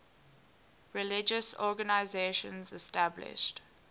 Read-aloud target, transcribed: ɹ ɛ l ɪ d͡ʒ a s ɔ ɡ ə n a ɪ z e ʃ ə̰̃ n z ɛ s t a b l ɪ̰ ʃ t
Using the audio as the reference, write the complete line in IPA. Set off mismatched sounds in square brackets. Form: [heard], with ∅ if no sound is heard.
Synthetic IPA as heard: ɹ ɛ l ɪ d͡ʒ [ə] s ɔ ɡ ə n a ɪ z e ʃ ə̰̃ n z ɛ s t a b l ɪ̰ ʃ t

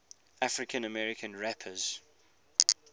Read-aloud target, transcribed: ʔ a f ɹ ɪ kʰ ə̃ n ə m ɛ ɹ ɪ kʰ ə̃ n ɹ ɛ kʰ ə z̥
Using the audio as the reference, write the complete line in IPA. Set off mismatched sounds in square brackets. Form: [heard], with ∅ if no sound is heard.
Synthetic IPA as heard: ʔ a f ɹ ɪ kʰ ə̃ n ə m ɛ ɹ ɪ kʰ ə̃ n ɹ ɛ [pʰ] ə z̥

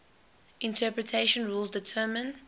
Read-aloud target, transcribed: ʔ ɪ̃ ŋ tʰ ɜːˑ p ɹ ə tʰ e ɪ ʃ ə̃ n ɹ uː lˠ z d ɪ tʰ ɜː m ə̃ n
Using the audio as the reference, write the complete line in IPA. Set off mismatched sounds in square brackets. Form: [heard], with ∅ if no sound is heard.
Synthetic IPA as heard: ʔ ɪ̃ [n] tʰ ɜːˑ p ɹ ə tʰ e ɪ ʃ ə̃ n ɹ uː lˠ z d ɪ tʰ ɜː m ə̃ n

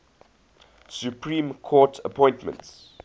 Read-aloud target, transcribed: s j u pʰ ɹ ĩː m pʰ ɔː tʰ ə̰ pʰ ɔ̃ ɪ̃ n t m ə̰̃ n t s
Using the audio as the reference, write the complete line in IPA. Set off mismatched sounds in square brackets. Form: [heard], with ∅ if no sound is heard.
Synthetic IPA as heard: s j u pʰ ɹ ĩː m [kʰ] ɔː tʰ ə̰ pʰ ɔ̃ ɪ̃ n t m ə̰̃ n t s

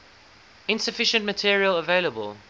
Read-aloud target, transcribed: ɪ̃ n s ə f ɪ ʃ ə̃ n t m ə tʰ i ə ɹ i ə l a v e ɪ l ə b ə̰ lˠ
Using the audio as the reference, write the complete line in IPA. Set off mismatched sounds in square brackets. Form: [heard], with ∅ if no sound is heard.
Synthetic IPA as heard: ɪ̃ n s ə f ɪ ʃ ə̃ n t m ə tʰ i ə ɹ i ə l [ə] v e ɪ l ə b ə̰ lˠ

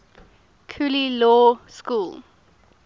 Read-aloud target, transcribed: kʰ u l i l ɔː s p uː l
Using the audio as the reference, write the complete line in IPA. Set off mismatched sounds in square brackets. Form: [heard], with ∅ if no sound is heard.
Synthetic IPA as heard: kʰ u l i l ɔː s [k] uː l

